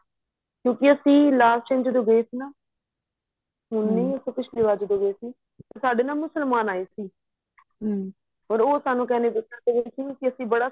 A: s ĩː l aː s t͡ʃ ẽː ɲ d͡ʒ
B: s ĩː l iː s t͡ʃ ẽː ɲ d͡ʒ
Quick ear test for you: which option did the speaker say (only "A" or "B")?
A